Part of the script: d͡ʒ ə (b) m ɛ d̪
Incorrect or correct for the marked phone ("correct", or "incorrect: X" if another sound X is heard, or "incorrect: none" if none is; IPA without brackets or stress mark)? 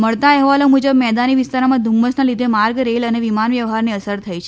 correct